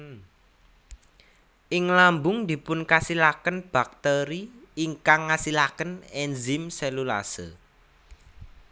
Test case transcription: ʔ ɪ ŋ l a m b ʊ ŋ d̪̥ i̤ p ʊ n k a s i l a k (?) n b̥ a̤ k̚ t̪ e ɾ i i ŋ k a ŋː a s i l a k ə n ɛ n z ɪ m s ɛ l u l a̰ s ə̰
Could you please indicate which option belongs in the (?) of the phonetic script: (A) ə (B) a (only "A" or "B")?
A